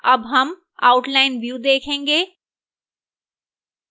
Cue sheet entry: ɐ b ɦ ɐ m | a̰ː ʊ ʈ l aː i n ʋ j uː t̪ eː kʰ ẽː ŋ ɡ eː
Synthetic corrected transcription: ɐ b ɦ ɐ m | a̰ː ʊ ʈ l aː ɪ n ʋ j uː d̪ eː kʰ ẽː ŋ ɡ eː